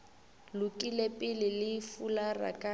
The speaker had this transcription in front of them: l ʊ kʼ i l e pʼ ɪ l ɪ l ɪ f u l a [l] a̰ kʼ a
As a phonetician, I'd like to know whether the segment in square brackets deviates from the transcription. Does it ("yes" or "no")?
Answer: yes